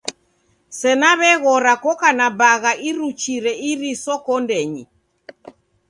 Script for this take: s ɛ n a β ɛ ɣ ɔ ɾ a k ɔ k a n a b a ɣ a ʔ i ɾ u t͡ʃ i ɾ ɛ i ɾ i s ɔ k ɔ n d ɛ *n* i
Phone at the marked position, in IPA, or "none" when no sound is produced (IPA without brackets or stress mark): ɲ